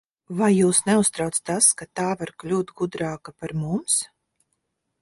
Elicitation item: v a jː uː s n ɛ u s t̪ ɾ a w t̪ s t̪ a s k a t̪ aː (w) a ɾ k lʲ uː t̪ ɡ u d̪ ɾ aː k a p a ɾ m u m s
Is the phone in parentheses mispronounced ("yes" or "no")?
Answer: yes